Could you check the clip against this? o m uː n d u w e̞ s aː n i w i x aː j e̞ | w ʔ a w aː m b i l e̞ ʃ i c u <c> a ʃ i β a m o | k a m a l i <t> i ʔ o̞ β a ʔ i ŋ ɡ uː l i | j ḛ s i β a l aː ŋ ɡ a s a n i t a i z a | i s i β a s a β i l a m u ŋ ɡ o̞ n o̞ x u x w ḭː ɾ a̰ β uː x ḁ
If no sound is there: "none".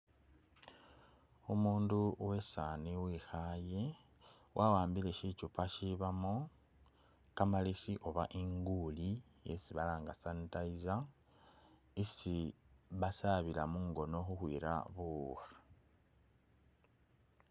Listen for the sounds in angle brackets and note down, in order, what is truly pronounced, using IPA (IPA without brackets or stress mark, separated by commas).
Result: p, s